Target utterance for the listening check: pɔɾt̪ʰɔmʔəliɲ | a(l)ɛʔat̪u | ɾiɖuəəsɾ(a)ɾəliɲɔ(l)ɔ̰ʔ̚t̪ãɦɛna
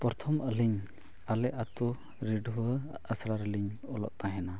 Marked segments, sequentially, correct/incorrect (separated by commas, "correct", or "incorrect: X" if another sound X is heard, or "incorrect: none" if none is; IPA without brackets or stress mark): correct, correct, correct